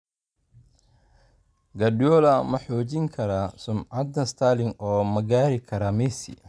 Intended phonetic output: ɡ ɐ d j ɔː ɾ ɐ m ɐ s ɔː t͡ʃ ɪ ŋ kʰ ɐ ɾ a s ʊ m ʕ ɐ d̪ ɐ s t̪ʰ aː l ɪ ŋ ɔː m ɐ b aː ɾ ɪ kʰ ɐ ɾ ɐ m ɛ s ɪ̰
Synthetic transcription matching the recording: ɡ ɐ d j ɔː l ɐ m ɐ ħ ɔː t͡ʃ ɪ ŋ kʰ ɐ ɾ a s ʊ m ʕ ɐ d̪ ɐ s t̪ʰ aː l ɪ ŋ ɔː m ɐ ɡ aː ɾ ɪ kʰ ɐ ɾ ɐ m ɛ s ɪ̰